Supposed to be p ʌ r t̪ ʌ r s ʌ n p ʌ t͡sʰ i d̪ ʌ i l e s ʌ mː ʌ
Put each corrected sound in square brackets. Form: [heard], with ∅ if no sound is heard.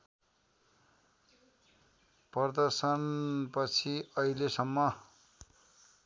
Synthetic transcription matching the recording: p ʌ r [d̪] ʌ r s ʌ n p ʌ t͡sʰ i [∅] ʌ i l e s ʌ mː ʌ